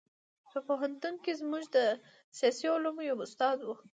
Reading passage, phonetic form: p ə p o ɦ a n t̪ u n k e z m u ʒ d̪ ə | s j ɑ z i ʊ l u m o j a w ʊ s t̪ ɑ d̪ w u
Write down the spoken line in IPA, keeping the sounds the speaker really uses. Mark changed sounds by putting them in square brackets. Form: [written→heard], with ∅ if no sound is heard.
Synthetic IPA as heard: p ə p o ɦ a n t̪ u n k e z m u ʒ d̪ ə | s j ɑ [z→s] i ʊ l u m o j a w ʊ s t̪ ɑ d̪ w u